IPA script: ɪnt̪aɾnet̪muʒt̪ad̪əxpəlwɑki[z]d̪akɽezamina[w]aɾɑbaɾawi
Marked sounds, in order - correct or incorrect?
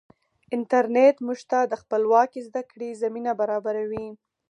correct, incorrect: b

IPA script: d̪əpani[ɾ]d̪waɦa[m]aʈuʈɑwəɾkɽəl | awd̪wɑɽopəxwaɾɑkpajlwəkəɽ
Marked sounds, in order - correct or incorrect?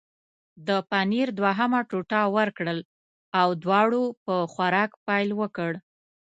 correct, correct

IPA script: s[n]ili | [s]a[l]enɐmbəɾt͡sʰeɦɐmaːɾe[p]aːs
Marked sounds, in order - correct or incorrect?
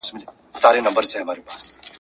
incorrect: m, correct, incorrect: ɾ, correct

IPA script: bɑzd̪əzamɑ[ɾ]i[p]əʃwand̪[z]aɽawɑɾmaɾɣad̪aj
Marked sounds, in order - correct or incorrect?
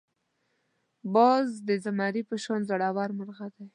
correct, correct, correct

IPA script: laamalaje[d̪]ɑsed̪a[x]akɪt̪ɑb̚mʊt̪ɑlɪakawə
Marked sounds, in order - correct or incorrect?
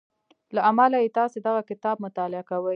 incorrect: t̪, incorrect: ɣ

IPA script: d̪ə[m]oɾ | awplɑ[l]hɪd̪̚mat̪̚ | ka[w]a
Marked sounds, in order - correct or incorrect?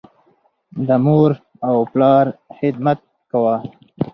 correct, incorrect: ɾ, correct

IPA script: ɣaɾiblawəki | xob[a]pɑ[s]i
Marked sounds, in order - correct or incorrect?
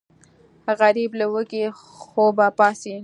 correct, correct

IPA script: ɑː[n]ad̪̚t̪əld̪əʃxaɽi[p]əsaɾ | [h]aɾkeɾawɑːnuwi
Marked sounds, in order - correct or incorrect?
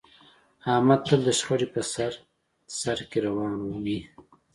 incorrect: m, correct, incorrect: s

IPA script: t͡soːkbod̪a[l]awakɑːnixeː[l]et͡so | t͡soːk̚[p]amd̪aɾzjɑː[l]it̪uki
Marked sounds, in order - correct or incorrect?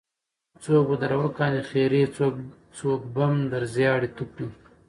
incorrect: ɾ, incorrect: ɾ, incorrect: b, incorrect: ɽ

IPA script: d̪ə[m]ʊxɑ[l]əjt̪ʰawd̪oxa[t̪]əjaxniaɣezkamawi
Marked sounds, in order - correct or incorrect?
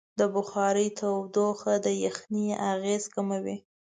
incorrect: b, incorrect: ɾ, incorrect: d̪

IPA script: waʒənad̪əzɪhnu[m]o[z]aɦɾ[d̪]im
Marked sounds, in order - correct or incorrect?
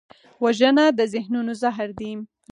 incorrect: n, correct, correct

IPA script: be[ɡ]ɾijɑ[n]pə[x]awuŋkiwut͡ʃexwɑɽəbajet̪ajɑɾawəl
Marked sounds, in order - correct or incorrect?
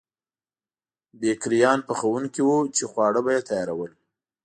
incorrect: k, correct, correct

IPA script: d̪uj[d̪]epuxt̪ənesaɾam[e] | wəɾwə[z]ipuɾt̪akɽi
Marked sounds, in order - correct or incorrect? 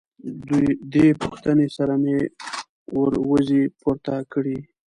correct, correct, correct

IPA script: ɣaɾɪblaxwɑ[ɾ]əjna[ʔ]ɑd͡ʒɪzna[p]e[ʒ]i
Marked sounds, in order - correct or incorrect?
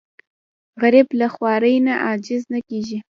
correct, correct, incorrect: k, correct

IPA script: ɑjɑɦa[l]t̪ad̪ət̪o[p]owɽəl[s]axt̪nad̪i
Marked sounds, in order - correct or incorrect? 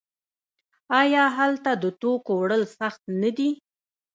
correct, incorrect: k, correct

